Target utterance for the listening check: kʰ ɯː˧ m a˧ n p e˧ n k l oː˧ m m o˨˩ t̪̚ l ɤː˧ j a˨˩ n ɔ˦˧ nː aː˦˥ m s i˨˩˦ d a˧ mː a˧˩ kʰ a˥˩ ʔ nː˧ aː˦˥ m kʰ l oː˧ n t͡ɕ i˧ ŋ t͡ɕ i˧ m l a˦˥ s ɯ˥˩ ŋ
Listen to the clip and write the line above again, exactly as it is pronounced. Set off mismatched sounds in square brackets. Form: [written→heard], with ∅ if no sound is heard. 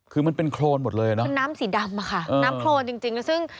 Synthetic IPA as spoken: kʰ ɯː˧ m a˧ n p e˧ n [k→kʰ] l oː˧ [m→n] m o˨˩ t̪̚ l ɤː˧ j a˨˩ n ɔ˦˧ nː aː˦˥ m s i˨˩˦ d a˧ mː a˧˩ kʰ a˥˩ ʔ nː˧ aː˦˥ m kʰ l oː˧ n t͡ɕ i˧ ŋ t͡ɕ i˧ [m→ŋ] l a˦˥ s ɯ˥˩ ŋ